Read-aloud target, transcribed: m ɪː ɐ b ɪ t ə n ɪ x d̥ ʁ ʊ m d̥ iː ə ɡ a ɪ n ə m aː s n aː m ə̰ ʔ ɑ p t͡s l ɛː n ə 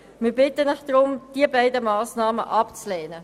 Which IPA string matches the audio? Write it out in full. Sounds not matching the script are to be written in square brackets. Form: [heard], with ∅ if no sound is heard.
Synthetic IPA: m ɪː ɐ b ɪ t ə n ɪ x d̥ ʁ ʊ m d̥ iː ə [b] a ɪ [d] ə m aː s n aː m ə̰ ʔ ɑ p t͡s l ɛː n ə